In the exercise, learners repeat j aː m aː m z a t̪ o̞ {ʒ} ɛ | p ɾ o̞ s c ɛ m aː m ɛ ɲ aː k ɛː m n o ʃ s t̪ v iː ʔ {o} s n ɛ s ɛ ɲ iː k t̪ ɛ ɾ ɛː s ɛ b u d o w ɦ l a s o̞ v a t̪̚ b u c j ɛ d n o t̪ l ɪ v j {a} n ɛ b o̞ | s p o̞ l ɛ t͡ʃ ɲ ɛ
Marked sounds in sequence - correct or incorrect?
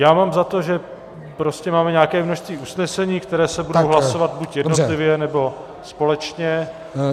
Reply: correct, incorrect: u, incorrect: ɛ

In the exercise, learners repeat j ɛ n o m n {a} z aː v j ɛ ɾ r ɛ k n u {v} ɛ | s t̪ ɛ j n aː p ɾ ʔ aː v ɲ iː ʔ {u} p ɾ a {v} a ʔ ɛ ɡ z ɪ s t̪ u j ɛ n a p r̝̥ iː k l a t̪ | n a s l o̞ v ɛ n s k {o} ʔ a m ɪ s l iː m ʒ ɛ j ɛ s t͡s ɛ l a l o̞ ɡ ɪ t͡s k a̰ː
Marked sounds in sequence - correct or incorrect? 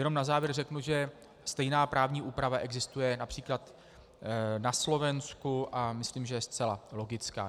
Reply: correct, incorrect: ʒ, incorrect: uː, correct, incorrect: u

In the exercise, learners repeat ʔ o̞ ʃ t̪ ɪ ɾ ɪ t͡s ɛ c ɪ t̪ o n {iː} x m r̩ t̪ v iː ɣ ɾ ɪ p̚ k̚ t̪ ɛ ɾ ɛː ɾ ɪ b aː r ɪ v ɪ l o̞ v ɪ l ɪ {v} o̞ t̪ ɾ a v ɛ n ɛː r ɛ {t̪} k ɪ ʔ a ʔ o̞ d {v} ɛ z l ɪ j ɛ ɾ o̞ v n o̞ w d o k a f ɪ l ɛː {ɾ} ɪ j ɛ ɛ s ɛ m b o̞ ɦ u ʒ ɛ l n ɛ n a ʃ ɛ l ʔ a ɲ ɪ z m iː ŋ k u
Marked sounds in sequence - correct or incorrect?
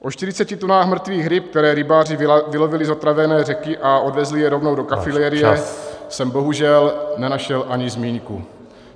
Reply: incorrect: aː, incorrect: z, incorrect: none, correct, correct

